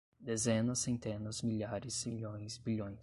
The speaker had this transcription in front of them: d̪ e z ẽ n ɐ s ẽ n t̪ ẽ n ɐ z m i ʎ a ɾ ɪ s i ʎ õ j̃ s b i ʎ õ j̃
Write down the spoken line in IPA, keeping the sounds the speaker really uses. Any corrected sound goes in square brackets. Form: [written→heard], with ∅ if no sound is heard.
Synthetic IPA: d̪ e z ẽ n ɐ s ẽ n t̪ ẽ n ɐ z m i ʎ a ɾ ɪ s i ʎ õ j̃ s b i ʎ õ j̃